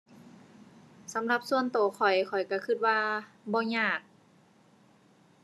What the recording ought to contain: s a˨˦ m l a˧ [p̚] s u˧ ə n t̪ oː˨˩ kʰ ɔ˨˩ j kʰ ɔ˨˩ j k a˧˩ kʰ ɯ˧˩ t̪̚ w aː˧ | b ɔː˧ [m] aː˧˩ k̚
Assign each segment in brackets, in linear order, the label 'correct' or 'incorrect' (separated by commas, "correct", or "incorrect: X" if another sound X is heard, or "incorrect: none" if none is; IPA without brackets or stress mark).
correct, incorrect: ɲ